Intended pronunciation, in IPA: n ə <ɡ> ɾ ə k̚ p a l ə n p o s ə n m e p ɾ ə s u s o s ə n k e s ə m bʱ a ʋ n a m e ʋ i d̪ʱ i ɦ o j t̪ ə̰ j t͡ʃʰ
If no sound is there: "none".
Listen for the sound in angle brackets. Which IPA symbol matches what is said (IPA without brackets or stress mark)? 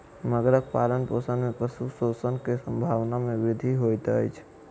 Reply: ɡ